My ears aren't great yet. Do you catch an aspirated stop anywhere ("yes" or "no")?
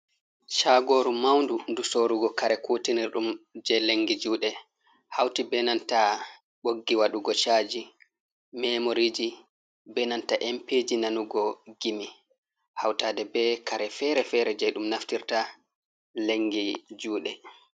no